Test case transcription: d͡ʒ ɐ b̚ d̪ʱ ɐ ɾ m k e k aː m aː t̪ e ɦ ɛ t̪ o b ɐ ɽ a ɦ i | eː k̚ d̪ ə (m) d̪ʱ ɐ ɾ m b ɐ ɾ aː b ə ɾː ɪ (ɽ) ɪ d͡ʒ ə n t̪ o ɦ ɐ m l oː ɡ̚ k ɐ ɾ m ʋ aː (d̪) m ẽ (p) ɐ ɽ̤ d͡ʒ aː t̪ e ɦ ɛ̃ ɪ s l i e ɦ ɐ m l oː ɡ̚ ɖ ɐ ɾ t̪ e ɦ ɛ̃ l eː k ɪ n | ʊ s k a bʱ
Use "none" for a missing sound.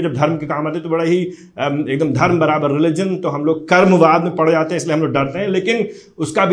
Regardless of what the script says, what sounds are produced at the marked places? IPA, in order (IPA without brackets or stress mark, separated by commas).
m, l, d̪, p